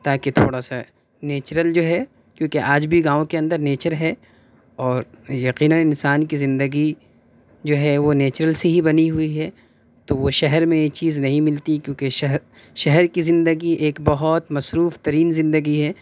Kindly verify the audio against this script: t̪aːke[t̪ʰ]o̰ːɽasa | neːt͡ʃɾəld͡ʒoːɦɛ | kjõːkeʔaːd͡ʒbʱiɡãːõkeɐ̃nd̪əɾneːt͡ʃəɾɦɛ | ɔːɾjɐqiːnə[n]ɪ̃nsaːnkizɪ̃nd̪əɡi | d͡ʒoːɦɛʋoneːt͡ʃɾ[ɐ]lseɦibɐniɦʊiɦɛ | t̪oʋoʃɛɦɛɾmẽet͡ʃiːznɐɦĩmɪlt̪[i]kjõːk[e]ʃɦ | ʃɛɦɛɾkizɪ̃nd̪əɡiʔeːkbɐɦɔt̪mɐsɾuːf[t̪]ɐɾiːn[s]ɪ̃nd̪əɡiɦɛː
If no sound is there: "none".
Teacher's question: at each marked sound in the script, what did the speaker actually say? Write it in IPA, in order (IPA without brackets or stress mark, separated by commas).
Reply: t̪ʰ, n, ə, i, e, t̪, z